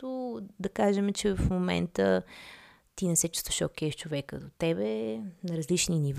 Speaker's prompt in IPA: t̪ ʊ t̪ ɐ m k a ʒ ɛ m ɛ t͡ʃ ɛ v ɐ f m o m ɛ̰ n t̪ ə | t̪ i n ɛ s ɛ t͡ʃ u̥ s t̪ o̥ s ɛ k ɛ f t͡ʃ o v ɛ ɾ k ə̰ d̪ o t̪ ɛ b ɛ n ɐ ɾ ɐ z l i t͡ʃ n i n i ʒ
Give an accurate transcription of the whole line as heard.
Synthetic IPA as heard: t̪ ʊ d̪ ɐ k a ʒ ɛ m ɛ t͡ʃ ɛ v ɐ f m o m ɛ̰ n t̪ ə | t̪ i n ɛ s ɛ t͡ʃ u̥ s t̪ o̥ ʃ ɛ k ɛ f t͡ʃ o v ɛ k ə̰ d̪ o t̪ ɛ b ɛ n ɐ ɾ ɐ z l i t͡ʃ n i n i v